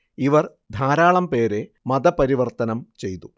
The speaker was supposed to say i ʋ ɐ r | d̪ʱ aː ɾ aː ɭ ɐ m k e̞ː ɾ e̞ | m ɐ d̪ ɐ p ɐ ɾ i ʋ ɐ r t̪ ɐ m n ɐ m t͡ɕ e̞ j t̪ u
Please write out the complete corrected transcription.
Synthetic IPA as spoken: i ʋ ɐ r | d̪ʱ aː ɾ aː ɭ ɐ m p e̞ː ɾ e̞ | m ɐ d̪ ɐ p ɐ ɾ i ʋ ɐ r t̪ ɐ n ɐ m t͡ɕ e̞ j t̪ u